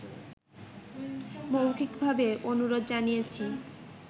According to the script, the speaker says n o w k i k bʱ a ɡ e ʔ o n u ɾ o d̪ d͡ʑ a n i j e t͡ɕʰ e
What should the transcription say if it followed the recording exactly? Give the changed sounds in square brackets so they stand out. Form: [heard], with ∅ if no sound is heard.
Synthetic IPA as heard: [m] o w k i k bʱ a [b] e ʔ o n u ɾ o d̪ d͡ʑ a n i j e t͡ɕʰ [i]